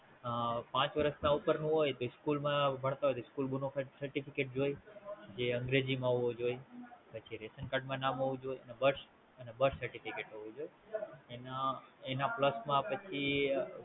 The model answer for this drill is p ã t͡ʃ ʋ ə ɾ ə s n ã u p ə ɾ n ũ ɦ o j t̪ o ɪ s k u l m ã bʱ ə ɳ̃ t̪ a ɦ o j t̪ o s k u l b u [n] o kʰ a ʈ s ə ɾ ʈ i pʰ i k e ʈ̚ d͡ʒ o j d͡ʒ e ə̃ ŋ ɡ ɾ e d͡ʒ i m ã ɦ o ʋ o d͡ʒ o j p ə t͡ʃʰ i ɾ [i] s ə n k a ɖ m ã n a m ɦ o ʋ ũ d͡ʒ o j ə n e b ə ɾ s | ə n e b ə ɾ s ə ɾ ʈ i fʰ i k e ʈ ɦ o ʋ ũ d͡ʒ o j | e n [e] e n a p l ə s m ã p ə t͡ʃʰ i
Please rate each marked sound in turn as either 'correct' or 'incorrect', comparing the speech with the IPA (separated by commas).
correct, incorrect, incorrect